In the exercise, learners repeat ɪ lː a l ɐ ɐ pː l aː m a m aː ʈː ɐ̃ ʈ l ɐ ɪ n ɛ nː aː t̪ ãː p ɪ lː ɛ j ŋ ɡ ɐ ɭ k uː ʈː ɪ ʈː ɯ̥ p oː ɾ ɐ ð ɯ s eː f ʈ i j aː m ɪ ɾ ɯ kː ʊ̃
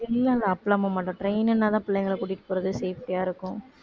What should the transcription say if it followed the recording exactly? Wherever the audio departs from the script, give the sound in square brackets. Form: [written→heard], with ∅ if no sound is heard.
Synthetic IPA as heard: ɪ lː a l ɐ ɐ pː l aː m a m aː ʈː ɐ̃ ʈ [l→ɾ] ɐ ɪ n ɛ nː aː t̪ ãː p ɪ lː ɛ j ŋ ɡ ɐ ɭ k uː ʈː ɪ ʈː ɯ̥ p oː ɾ ɐ ð ɯ s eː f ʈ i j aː [m→∅] ɪ ɾ ɯ kː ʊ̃